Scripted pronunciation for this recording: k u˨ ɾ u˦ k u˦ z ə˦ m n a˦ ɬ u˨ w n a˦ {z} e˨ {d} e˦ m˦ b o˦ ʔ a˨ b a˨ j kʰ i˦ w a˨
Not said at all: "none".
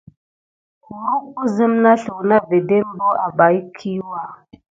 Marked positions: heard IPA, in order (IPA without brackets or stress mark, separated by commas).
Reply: v, d